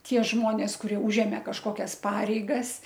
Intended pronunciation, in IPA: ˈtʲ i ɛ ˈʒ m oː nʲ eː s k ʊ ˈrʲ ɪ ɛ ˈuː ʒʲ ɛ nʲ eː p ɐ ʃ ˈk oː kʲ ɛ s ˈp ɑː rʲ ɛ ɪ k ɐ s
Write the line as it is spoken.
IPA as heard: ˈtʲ i ɛ ˈʒ m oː nʲ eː s k ʊ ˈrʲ i ɛ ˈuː ʒʲ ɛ mʲ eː k ɐ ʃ ˈk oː kʲ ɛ s ˈp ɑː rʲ ɛ ɪ ɡ ɐ s

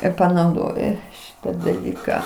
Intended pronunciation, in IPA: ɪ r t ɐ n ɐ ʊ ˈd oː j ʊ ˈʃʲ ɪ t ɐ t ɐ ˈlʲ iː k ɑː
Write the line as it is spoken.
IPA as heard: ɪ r p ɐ n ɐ ʊ ˈd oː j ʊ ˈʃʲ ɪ t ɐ d ɐ ˈlʲ iː k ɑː

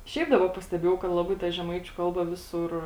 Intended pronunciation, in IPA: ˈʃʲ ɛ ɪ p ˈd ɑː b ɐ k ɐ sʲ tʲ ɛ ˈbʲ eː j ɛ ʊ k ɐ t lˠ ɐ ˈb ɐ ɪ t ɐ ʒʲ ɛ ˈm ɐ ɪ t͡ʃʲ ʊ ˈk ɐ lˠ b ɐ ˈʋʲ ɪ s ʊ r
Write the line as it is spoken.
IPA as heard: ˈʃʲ ɛ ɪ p ˈd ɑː b ɐ p ɐ sʲ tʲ ɛ ˈbʲ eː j ɛ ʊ k ɐ t lˠ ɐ ˈb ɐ ɪ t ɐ ʒʲ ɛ ˈm ɐ ɪ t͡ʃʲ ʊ ˈk ɐ lˠ b ɐ ˈʋʲ ɪ s ʊ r

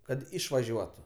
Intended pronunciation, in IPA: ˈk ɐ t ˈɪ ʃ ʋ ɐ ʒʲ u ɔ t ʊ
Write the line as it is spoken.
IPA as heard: ˈk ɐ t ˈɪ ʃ ʋ ɐ ʒʲ u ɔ t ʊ

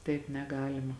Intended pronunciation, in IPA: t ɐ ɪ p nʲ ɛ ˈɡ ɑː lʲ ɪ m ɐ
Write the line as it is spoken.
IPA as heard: t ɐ ɪ p nʲ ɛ ˈɡ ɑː lʲ ɪ m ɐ

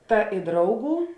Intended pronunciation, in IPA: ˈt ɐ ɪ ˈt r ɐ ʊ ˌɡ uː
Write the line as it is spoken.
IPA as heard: ˈt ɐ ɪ ˈd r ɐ ʊ ˌɡ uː

